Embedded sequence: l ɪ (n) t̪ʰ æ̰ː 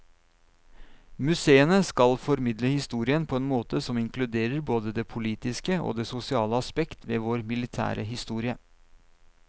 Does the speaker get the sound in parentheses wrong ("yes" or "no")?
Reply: yes